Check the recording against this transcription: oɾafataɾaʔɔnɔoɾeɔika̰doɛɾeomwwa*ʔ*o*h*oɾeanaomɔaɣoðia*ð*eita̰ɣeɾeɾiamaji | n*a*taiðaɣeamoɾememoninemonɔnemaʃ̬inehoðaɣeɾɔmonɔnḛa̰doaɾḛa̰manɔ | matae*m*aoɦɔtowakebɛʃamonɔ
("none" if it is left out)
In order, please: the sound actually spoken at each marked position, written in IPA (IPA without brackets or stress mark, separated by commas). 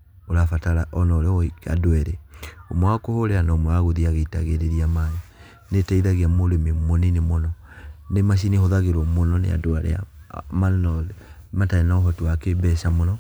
k, h, ɣ, e, n